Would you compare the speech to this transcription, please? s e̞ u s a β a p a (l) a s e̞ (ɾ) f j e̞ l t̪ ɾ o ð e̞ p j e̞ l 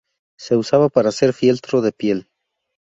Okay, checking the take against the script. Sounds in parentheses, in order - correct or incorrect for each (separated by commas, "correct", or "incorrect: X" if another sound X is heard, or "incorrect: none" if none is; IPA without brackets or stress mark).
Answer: incorrect: ɾ, correct